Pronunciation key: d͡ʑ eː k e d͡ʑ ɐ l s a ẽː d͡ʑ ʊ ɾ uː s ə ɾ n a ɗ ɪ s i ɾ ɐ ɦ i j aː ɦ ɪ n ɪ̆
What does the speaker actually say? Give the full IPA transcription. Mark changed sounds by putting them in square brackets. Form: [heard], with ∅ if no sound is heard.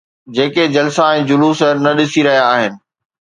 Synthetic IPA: d͡ʑ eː k e d͡ʑ ɐ l s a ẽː d͡ʑ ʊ [l] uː s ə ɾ n [ɐ] ɗ ɪ s i ɾ ɐ ɦ i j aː ɦ ɪ n ɪ̆